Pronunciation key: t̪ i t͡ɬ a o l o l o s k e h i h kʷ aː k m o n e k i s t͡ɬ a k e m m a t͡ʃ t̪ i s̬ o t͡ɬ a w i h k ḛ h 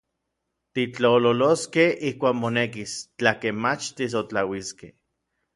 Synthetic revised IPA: t̪ i t͡ɬ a o l o l o s k e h i h kʷ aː k m o n e k i s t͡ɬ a k e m m a t͡ʃ t̪ i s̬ o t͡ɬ a w i s k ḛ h